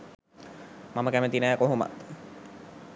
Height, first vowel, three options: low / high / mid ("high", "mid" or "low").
low